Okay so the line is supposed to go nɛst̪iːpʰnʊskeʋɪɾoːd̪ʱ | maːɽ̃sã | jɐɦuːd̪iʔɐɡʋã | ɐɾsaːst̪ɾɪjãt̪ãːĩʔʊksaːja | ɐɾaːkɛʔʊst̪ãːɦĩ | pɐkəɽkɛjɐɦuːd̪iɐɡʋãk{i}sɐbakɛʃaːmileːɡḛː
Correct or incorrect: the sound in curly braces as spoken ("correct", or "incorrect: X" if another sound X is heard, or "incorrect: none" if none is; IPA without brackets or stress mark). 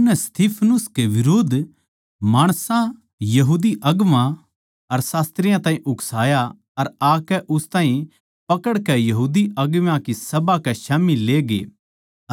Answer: correct